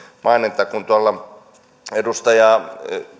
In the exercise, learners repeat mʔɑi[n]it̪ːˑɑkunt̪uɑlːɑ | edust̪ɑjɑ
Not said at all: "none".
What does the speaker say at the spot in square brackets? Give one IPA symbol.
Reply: n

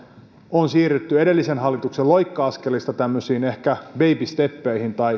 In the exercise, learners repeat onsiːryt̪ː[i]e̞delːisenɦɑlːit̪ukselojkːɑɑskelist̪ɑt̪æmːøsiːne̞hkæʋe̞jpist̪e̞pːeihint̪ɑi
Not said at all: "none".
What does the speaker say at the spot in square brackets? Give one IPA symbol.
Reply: y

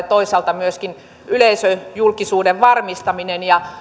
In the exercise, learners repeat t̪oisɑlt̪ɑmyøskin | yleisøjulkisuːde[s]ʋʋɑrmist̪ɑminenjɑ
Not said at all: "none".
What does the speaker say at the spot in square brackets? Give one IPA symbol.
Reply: none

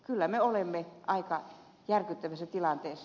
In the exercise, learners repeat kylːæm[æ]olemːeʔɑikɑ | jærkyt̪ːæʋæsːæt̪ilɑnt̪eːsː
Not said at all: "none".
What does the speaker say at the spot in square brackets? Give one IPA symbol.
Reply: e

